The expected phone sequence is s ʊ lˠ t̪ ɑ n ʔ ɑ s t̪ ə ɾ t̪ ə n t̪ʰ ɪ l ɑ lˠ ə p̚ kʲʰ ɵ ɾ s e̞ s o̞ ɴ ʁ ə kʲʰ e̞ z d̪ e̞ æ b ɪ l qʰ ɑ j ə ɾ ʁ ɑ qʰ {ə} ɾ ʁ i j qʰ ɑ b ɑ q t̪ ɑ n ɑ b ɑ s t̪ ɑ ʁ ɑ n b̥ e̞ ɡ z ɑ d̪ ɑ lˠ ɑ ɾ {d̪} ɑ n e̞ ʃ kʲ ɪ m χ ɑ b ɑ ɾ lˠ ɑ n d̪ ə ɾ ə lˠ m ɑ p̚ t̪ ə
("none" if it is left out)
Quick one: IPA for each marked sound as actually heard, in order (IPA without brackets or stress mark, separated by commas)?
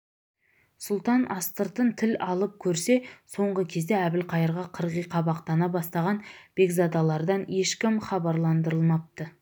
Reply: ə, d̪